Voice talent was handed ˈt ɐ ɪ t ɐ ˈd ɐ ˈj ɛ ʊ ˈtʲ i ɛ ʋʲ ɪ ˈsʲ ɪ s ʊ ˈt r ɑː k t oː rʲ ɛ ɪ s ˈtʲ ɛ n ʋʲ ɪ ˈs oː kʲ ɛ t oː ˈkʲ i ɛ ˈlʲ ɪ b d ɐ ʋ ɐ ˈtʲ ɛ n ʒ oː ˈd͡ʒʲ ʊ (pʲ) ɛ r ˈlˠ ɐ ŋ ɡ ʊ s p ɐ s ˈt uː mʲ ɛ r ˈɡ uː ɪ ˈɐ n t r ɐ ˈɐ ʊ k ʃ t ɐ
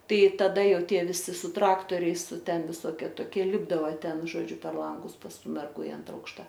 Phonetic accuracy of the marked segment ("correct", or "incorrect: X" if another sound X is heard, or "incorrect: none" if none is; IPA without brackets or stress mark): correct